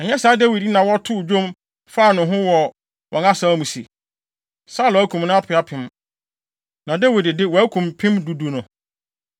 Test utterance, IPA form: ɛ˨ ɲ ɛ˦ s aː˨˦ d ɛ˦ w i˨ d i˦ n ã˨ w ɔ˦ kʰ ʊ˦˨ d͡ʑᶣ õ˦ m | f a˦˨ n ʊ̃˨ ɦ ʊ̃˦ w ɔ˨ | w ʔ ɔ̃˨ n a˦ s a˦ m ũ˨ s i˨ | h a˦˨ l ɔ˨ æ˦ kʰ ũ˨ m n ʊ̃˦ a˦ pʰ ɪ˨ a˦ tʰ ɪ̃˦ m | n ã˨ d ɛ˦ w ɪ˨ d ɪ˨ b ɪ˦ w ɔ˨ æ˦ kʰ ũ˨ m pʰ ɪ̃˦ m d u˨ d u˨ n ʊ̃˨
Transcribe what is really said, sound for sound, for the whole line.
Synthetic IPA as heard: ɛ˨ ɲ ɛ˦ s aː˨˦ d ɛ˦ w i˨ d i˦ n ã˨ w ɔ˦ tʰ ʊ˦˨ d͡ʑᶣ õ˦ m | f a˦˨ n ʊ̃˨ ɦ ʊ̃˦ w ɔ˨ | w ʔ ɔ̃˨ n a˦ s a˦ m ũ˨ s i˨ | s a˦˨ l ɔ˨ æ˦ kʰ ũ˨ m n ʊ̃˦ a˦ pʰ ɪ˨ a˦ pʰ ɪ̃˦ m | n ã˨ d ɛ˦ w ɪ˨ d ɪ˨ d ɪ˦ w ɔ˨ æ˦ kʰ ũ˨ m pʰ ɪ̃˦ m d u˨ d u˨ n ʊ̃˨